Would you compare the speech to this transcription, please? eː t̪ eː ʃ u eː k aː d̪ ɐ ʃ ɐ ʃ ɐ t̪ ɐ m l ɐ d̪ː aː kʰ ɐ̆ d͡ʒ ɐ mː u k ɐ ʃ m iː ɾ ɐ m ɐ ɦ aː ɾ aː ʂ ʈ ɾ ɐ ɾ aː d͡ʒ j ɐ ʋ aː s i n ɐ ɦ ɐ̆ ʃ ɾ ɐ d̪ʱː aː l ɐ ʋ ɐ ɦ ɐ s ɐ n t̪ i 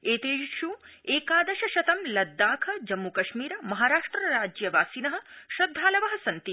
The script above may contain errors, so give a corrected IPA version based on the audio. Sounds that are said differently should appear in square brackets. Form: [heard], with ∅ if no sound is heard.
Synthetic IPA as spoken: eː t̪ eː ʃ u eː k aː d̪ ɐ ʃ ɐ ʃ ɐ t̪ ɐ m l ɐ d̪ː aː kʰ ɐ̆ d͡ʒ ɐ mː u k ɐ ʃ m iː ɾ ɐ m ɐ ɦ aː ɾ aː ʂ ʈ ɾ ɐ ɾ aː d͡ʒ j ɐ ʋ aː s i n ɐ ɦ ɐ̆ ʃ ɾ ɐ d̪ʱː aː l ɐ ʋ ɐ ɦ ɐ s ɐ n t̪ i